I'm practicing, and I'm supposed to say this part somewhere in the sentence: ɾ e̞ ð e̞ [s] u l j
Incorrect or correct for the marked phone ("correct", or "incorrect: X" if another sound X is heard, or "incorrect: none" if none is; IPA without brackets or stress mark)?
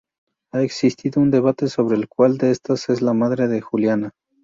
incorrect: x